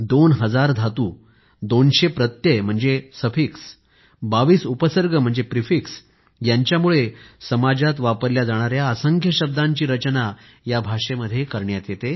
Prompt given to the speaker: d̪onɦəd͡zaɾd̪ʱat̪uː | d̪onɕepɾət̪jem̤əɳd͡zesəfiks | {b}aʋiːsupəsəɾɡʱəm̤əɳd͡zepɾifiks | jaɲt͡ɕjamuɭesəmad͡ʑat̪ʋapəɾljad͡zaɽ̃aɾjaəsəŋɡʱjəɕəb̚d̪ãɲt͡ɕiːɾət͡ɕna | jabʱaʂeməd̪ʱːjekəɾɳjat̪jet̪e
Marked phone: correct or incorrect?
correct